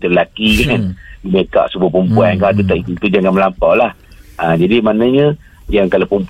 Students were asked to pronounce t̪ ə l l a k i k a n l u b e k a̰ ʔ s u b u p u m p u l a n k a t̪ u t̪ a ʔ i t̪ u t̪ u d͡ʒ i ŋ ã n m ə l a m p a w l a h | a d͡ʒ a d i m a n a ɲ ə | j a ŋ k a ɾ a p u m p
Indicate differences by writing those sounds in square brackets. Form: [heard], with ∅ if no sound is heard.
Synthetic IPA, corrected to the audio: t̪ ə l l a k i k a n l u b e k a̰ ʔ s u b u p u m p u [∅] a n k a t̪ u t̪ a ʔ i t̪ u t̪ u d͡ʒ [a] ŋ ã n m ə l a m p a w l a h | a d͡ʒ a d i m a n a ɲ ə | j a ŋ k a [l] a p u m p